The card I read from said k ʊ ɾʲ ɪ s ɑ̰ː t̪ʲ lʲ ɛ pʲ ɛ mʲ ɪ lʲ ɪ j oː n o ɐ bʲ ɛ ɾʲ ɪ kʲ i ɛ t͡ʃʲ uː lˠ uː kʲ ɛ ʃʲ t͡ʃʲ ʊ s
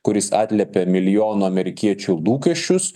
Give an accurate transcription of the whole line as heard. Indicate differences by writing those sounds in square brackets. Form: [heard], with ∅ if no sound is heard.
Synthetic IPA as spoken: k ʊ ɾʲ ɪ s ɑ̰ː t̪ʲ lʲ ɛ pʲ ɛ mʲ ɪ lʲ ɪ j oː n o ɐ [mʲ] ɛ ɾʲ ɪ kʲ i ɛ t͡ʃʲ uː lˠ uː kʲ ɛ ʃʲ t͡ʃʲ ʊ s